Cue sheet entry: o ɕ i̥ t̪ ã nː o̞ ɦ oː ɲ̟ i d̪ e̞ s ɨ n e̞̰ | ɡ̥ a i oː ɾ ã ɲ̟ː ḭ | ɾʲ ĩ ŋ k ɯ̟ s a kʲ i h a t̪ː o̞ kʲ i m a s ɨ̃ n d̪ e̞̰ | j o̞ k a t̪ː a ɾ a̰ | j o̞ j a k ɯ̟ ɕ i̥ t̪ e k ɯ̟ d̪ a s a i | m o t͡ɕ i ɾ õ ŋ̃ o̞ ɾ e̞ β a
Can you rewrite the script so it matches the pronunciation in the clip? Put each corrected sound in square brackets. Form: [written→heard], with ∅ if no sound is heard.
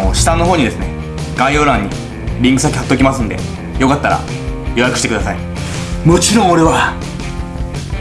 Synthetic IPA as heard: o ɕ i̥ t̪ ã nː o̞ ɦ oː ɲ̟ i d̪ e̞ s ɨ n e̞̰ | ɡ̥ a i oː ɾ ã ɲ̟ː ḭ | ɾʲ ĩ ŋ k ɯ̟ s a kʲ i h a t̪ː o̞ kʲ i m a s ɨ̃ n d̪ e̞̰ | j o̞ k a t̪ː a ɾ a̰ | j o̞ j a k ɯ̟ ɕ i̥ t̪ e k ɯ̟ d̪ a s a i | m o t͡ɕ i ɾ õ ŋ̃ o̞ ɾ e̞ β a